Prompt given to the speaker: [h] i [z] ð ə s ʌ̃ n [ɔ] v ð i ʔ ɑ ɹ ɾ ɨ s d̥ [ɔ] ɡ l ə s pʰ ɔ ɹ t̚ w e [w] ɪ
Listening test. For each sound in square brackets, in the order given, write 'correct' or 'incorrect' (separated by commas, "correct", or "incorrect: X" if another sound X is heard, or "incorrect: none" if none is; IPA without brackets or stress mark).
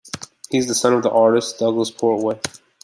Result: correct, correct, incorrect: ʌ, incorrect: ʌ, incorrect: none